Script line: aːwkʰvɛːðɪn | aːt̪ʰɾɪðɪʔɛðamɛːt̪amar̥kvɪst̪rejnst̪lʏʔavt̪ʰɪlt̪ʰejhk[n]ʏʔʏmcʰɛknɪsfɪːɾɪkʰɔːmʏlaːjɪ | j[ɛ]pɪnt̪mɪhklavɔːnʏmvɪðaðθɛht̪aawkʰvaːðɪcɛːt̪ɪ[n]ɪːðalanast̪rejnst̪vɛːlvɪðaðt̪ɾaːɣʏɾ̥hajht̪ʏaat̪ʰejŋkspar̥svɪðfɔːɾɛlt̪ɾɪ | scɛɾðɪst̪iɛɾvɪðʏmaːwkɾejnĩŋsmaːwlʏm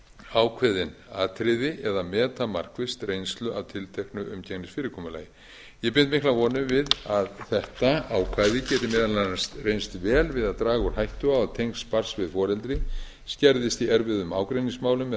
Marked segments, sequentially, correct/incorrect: correct, correct, incorrect

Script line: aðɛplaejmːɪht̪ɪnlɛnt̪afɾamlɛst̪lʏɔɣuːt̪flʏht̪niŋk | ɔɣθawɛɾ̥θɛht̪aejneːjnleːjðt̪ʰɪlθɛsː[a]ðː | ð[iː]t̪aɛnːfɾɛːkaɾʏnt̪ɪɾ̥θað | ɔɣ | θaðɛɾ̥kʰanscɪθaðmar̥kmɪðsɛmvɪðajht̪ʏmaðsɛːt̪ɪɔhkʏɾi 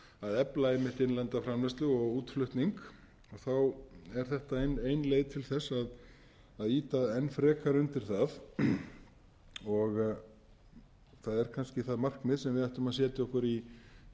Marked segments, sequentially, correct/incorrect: correct, correct

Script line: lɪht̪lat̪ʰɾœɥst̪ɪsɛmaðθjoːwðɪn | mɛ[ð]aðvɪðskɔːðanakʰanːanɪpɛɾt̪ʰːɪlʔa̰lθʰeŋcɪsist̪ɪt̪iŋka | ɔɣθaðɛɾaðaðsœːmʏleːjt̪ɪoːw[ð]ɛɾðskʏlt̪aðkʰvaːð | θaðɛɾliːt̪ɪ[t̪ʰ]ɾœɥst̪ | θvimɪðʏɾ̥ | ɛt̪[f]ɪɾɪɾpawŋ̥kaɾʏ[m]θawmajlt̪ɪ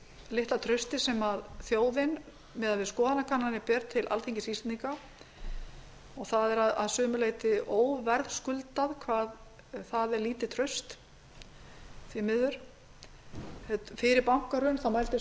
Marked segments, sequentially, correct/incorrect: correct, incorrect, correct, correct, incorrect

